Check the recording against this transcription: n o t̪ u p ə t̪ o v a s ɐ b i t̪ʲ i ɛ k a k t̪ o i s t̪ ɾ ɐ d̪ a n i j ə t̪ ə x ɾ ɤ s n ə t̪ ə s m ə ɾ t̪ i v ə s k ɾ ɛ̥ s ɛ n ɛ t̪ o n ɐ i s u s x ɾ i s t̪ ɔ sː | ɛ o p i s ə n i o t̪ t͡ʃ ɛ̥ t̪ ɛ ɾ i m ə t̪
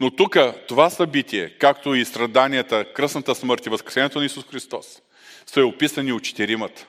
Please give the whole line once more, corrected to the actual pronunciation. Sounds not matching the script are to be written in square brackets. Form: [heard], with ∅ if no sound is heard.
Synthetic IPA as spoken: n o t̪ u [k] ə t̪ o v a s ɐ b i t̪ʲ i ɛ k a k t̪ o i s t̪ ɾ ɐ d̪ a n i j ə t̪ ə [k] ɾ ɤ s n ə t̪ ə s m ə ɾ t̪ i v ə s k ɾ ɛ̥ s ɛ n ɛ t̪ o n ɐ i s u s x ɾ i s t̪ ɔ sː | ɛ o p i s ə n i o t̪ t͡ʃ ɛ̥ t̪ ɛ ɾ i m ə t̪